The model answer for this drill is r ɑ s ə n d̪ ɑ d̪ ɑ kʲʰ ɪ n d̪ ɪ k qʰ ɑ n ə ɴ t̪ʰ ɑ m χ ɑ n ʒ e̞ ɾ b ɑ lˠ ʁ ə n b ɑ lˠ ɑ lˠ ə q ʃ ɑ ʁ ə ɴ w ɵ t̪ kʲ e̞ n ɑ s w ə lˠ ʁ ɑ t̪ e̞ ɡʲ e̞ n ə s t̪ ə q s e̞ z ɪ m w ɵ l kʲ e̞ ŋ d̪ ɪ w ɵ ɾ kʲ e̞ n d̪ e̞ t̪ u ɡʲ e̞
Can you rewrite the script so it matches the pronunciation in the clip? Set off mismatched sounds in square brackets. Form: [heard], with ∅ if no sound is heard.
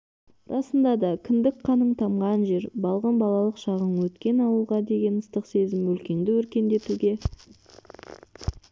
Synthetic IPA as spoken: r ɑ s ə n d̪ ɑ d̪ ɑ kʲʰ ɪ n d̪ ɪ k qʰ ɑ n ə ɴ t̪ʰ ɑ m [ʁ] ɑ n ʒ e̞ ɾ b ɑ lˠ ʁ ə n b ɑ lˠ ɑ lˠ ə q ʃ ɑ ʁ ə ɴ w ɵ t̪ kʲ e̞ n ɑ [∅] w ə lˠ ʁ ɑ [d̪] e̞ ɡʲ e̞ n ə s t̪ ə q s e̞ z ɪ m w ɵ l kʲ e̞ ŋ d̪ ɪ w ɵ ɾ kʲ e̞ n d̪ e̞ t̪ u ɡʲ e̞